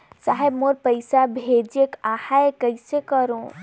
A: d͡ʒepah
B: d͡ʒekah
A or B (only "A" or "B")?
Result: B